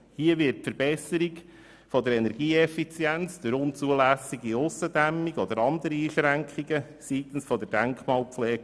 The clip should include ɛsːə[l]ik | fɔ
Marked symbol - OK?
no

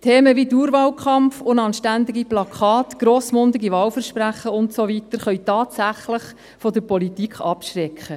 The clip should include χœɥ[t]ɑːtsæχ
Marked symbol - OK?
yes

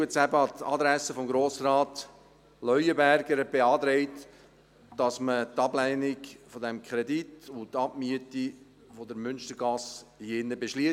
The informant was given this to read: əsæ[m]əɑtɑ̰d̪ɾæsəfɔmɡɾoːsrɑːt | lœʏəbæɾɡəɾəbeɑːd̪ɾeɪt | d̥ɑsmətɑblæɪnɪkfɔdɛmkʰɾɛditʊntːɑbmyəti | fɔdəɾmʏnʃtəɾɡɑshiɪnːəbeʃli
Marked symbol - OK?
no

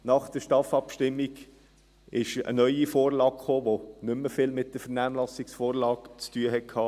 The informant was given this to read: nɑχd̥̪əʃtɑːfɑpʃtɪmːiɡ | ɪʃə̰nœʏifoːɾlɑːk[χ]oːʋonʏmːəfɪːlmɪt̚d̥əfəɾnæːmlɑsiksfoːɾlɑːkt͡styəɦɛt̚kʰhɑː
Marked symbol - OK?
yes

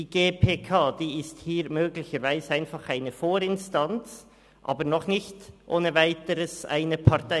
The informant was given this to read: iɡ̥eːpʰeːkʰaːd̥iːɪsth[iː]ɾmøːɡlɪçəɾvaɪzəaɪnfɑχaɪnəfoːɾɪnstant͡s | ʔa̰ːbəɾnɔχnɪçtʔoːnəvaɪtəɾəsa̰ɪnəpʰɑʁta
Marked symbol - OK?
yes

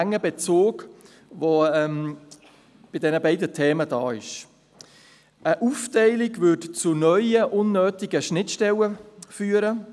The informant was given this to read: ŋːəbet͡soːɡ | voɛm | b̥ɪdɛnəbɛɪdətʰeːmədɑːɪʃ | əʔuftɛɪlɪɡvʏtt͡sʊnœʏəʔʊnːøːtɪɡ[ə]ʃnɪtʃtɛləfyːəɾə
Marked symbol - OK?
yes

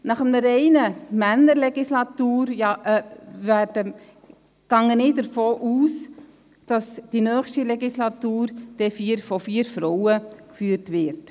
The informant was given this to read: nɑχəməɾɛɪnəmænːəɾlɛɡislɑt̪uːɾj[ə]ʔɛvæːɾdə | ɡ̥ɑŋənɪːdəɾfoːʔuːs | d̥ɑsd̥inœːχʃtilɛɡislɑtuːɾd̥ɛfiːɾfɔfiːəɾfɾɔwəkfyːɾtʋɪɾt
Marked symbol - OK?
no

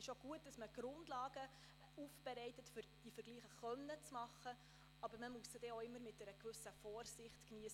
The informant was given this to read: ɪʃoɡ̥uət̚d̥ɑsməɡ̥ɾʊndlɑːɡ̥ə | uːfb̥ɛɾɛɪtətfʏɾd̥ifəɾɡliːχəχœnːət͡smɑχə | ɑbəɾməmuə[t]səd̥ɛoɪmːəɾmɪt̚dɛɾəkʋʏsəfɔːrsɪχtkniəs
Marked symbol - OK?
no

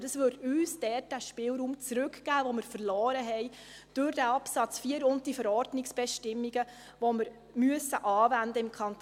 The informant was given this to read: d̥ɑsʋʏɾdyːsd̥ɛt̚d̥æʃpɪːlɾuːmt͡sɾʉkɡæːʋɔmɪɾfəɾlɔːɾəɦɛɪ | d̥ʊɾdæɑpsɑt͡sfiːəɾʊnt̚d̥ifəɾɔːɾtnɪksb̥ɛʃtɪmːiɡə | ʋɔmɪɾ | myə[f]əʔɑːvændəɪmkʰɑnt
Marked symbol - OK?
no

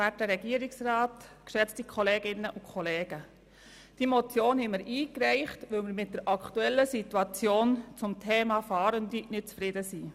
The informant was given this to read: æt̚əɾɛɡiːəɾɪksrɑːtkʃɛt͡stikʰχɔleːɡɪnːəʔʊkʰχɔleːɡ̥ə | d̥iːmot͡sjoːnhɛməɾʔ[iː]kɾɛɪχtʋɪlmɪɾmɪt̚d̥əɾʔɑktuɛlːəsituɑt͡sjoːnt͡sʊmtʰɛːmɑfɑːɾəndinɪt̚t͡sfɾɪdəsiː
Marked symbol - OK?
yes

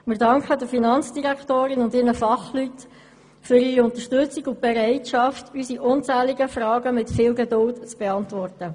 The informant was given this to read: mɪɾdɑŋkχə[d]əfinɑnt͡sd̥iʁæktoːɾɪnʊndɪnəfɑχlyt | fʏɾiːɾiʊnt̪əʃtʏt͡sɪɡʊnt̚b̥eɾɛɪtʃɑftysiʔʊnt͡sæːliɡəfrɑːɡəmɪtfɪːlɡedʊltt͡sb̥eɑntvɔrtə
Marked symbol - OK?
yes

